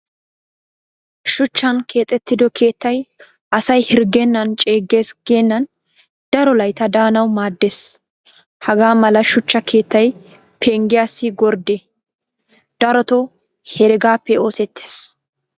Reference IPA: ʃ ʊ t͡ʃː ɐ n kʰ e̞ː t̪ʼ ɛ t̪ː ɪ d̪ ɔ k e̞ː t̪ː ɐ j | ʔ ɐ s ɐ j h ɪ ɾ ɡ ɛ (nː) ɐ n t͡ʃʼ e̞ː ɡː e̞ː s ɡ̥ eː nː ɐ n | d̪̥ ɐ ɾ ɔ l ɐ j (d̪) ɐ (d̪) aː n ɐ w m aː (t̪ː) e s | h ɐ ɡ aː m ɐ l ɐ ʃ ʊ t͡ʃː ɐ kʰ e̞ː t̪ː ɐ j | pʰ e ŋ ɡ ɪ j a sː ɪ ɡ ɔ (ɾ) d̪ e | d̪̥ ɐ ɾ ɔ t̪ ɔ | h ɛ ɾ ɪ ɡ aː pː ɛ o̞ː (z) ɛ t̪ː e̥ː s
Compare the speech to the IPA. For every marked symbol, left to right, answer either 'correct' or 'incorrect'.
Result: correct, incorrect, correct, incorrect, correct, incorrect

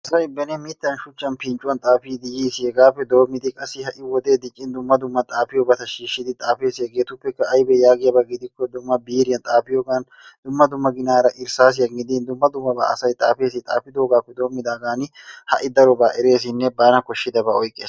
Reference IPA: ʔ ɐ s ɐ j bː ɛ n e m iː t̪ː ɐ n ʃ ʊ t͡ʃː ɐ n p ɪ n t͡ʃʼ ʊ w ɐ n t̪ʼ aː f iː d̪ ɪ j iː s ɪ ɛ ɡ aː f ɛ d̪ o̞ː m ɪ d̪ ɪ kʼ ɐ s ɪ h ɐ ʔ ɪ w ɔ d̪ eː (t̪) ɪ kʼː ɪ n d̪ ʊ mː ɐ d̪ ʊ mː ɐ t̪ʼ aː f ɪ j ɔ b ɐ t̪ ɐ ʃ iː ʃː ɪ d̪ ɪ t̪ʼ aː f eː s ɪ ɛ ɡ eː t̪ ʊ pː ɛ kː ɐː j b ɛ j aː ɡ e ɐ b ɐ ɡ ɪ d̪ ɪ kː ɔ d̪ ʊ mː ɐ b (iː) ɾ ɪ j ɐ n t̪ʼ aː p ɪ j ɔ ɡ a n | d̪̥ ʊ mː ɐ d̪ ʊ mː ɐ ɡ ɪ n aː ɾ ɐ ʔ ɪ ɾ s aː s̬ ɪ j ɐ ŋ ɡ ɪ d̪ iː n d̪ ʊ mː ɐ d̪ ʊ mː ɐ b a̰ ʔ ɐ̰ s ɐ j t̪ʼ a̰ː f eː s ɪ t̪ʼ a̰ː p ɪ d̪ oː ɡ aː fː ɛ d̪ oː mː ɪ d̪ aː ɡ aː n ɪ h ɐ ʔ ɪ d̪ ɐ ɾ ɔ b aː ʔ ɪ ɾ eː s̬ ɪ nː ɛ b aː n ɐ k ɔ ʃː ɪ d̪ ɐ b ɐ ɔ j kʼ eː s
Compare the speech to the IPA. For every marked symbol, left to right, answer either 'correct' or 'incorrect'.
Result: incorrect, correct

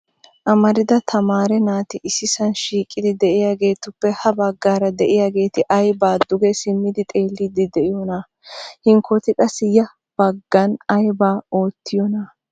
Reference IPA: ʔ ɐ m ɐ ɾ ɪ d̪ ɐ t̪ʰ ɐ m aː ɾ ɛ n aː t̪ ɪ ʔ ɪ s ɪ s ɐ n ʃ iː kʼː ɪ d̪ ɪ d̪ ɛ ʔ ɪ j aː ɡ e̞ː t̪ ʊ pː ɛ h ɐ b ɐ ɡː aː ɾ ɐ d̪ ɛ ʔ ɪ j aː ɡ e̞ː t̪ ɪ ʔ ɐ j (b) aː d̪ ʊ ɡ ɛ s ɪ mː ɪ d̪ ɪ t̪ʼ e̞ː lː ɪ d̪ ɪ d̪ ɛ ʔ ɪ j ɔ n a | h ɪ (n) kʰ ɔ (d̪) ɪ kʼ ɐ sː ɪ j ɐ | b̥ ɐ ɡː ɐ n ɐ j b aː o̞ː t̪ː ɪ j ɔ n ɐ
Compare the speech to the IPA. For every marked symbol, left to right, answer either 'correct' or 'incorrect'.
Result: correct, incorrect, incorrect

